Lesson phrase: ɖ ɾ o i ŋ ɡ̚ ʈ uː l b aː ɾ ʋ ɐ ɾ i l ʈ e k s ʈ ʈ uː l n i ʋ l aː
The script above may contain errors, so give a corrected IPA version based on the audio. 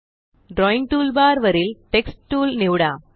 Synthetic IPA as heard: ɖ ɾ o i ŋ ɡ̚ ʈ uː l b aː ɾ ʋ ɐ ɾ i l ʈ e k s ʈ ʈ uː l n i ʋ ɽ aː